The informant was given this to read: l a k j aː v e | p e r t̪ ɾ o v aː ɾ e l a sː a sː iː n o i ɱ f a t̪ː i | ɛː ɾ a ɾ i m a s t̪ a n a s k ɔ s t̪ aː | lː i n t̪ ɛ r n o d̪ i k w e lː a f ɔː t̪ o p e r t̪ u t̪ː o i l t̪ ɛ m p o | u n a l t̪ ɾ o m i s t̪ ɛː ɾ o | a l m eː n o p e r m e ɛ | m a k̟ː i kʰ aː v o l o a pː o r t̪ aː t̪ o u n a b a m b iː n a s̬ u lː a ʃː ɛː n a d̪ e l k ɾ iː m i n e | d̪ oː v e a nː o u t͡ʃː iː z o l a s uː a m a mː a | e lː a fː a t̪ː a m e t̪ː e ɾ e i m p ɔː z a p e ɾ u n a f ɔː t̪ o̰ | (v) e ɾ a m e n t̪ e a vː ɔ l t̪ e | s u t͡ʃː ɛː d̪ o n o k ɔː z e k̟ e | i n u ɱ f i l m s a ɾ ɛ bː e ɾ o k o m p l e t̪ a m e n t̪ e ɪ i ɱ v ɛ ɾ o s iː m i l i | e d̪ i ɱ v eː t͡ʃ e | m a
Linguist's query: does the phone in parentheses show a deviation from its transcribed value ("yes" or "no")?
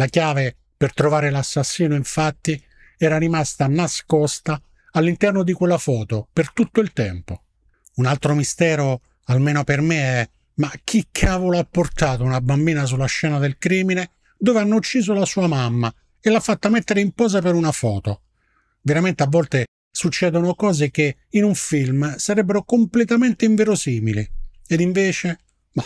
no